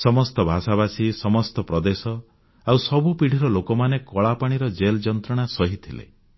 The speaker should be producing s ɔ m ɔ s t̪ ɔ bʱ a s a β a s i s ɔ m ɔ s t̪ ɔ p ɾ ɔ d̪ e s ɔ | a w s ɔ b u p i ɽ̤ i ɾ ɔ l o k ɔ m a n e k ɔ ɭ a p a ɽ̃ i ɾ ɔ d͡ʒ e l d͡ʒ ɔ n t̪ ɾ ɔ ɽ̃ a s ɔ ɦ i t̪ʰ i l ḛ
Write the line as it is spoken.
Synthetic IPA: s ɔ m ɔ s t̪ ɔ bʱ a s a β a s i s ɔ m ɔ s t̪ ɔ p ɾ ɔ d̪ e s ɔ | a w s ɔ b u p i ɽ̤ i ɾ ɔ l o k ɔ m a n e k ɔ ɭ a p a ɽ̃ i ɾ ɔ d͡ʒ e l d͡ʒ ɔ n t̪ ɾ ɔ ɽ̃ a s ɔ ɦ i t̪ʰ i l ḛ